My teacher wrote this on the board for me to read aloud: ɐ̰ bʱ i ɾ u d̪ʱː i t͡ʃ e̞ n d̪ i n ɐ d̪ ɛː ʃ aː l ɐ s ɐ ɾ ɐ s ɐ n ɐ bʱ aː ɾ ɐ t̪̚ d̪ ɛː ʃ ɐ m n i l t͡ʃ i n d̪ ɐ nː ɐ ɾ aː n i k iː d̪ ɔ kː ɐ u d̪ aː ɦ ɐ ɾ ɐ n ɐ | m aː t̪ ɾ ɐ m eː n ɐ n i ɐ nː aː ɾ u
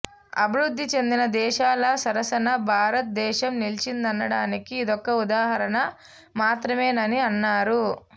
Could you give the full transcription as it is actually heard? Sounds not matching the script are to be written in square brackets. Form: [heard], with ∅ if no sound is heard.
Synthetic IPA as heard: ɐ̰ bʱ i ɾ u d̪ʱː i t͡ʃ e̞ n d̪ i n ɐ d̪ ɛː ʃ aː l ɐ s ɐ ɾ ɐ s ɐ n ɐ bʱ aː ɾ ɐ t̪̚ d̪ ɛː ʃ ɐ m n i l t͡ʃ i n d̪ ɐ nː ɐ [ɽ] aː n i k iː d̪ ɔ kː ɐ u d̪ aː ɦ ɐ ɾ ɐ n ɐ | m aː t̪ ɾ ɐ m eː n ɐ n i ɐ nː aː ɾ u